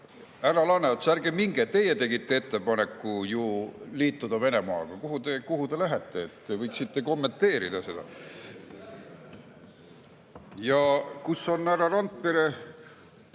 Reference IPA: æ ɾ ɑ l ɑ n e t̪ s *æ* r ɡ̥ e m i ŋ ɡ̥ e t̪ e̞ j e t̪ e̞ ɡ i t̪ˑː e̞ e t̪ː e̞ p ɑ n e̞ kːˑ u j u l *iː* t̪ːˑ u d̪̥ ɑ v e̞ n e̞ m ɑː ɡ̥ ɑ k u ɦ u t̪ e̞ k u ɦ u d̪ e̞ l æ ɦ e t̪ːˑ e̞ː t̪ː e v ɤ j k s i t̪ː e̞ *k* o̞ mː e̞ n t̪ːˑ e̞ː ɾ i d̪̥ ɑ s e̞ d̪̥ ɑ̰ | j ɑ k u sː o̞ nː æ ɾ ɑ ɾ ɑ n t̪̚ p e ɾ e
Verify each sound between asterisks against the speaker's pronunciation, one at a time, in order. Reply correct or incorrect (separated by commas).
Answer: correct, correct, correct